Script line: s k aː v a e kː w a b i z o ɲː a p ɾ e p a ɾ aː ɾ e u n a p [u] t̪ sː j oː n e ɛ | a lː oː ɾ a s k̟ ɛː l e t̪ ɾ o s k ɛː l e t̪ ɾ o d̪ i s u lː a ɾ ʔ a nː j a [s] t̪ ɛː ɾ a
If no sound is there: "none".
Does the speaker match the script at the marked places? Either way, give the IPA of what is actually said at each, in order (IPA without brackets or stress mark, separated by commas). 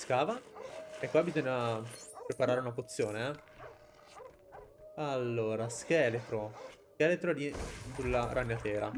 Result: o, none